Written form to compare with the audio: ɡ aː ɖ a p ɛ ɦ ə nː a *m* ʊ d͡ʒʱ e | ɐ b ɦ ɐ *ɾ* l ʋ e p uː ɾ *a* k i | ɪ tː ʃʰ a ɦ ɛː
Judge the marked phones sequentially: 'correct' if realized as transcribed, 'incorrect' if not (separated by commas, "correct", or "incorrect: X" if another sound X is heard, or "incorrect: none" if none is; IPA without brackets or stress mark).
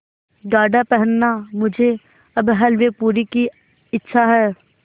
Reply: correct, incorrect: none, incorrect: i